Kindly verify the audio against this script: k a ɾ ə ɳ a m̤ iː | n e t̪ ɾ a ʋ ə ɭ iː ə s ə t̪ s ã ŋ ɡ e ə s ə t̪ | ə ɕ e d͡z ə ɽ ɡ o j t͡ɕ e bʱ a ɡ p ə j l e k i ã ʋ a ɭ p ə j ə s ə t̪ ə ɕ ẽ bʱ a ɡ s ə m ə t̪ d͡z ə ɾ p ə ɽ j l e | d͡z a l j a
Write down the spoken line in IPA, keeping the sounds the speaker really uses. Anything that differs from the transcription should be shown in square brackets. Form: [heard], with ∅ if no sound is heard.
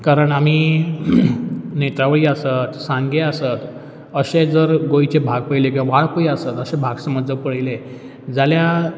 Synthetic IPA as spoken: k a ɾ ə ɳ a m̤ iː | n e t̪ ɾ a ʋ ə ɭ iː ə s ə t̪ s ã ŋ ɡ e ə s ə t̪ | ə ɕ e d͡z ə [ɾ] ɡ o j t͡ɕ e bʱ a ɡ p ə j l e k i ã ʋ a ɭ p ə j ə s ə t̪ ə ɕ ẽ bʱ a ɡ s ə m ə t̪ d͡z ə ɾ p ə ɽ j l e | d͡z a l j a